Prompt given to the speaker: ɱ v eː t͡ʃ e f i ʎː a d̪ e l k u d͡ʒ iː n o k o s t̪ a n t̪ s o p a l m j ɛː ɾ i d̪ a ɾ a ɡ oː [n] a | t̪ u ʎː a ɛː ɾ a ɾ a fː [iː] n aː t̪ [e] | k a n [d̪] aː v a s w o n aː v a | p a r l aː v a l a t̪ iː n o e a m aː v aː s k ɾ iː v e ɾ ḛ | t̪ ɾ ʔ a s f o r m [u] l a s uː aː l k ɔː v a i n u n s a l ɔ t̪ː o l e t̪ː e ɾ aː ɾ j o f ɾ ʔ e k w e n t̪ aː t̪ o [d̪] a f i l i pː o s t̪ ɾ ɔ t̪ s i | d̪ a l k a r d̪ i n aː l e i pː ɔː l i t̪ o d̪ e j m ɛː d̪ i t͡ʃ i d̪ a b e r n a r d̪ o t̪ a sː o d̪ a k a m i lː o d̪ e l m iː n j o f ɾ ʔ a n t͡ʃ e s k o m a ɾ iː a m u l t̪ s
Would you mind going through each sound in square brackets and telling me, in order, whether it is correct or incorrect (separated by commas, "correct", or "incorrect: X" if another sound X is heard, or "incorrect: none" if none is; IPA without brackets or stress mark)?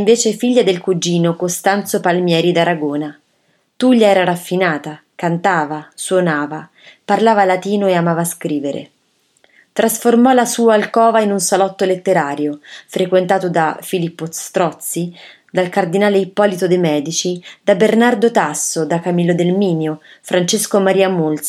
correct, incorrect: i, incorrect: a, incorrect: t̪, incorrect: ɔ, correct